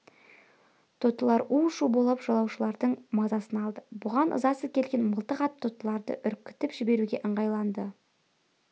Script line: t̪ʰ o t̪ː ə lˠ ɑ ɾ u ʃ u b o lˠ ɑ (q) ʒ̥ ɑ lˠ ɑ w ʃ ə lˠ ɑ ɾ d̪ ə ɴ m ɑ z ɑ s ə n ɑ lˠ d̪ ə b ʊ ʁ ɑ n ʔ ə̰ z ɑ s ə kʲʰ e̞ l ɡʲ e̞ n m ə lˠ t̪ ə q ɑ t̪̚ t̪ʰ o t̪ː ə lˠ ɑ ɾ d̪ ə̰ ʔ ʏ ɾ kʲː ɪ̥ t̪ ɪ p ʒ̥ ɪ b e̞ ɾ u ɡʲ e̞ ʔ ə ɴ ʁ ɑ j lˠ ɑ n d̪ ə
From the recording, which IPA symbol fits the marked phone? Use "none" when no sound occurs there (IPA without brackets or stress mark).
p